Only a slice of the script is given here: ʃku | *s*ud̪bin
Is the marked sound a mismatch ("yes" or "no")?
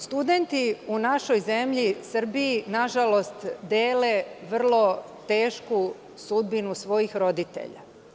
no